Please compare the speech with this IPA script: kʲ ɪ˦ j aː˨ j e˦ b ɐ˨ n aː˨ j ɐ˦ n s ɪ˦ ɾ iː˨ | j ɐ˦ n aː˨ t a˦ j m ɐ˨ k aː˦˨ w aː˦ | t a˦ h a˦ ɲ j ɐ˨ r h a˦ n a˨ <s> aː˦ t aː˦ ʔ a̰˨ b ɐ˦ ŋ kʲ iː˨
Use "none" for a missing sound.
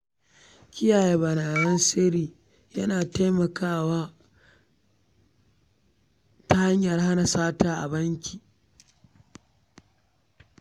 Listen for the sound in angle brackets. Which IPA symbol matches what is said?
s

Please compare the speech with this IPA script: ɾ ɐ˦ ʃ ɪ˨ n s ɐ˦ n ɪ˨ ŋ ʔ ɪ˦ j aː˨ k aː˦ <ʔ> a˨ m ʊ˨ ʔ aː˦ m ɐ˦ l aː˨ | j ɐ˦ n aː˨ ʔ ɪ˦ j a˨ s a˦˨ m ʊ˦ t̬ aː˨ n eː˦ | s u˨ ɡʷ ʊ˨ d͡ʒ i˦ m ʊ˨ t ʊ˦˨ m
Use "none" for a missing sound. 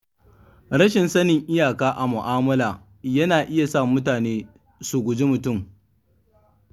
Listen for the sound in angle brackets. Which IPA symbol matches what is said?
ʔ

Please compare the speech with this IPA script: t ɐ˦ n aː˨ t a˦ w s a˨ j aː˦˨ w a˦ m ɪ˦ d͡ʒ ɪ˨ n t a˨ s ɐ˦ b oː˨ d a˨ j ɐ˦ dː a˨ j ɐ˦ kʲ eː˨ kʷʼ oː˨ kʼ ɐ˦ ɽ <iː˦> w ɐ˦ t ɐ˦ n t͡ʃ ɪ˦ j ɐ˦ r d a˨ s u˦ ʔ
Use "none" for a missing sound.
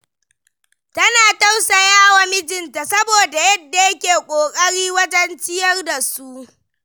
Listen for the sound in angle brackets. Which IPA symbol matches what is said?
iː˦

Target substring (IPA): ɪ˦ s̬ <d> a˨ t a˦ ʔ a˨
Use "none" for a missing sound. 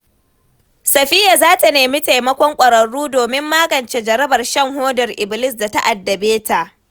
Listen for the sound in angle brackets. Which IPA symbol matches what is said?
d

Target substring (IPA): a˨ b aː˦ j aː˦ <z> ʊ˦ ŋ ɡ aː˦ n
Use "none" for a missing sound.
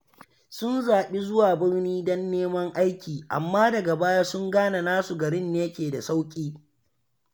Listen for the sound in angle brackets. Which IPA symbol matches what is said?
s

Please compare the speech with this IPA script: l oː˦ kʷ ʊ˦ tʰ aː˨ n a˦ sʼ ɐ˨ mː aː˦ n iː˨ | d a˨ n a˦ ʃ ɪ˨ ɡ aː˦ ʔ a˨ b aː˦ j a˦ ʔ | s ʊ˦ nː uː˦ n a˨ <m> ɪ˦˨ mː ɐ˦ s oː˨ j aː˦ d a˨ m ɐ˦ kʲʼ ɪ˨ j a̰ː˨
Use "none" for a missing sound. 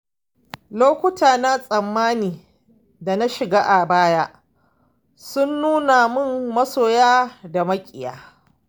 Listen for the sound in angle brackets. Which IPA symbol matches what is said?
m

